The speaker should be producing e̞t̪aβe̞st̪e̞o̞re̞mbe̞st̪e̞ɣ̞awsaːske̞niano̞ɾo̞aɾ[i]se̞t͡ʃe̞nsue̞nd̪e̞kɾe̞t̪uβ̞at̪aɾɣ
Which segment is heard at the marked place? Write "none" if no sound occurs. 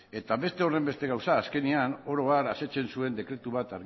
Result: a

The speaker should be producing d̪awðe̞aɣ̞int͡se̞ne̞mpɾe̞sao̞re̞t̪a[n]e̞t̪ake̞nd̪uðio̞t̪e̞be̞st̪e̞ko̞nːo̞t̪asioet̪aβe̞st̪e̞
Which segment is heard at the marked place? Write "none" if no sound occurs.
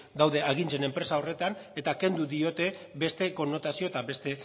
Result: n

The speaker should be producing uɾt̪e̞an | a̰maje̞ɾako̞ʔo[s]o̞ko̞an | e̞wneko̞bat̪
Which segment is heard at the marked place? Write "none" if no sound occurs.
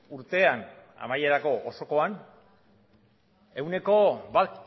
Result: s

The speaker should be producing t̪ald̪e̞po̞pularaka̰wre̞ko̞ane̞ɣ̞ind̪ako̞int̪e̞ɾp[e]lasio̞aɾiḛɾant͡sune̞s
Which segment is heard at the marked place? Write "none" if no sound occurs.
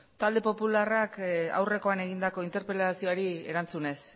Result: e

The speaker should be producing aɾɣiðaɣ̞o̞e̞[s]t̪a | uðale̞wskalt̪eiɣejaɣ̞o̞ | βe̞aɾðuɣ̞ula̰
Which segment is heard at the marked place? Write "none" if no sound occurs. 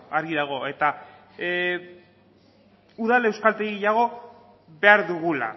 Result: none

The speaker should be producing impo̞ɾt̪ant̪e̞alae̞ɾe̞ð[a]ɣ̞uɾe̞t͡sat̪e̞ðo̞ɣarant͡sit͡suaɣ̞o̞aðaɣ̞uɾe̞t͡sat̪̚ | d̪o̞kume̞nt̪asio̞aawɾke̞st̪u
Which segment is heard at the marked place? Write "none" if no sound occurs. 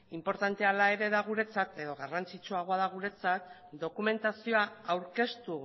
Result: a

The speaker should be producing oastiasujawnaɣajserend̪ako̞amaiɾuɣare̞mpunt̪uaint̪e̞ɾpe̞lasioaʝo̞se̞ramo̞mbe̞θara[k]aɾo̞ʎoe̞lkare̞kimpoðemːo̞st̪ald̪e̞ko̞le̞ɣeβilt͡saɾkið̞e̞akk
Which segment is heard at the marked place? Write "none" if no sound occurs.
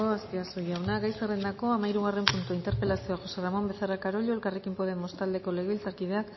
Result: k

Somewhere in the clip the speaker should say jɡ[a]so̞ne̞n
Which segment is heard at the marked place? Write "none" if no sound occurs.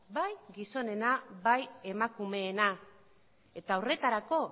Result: i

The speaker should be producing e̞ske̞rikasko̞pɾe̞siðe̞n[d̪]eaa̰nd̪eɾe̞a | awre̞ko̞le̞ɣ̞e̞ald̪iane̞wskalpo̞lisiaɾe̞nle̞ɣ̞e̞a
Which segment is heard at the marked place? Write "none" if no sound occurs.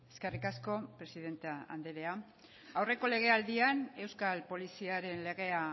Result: t̪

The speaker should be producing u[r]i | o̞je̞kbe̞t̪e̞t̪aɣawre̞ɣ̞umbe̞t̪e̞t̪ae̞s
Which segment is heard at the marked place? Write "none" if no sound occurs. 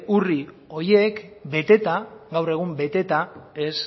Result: r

